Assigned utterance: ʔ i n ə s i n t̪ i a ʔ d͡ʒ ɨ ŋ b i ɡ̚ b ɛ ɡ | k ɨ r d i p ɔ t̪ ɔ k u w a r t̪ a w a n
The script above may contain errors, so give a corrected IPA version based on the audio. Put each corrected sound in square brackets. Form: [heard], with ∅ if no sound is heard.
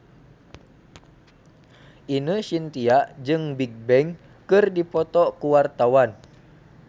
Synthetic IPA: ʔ i n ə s i n t̪ i a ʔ d͡ʒ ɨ ŋ b i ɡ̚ b ɛ [ŋ] | k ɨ r d i p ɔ t̪ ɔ k u w a r t̪ a w a n